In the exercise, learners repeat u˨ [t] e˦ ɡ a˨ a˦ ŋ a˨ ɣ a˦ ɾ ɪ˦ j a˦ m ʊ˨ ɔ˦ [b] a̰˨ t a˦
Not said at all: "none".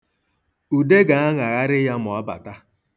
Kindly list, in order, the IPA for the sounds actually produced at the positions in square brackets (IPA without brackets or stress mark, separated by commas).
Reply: d, b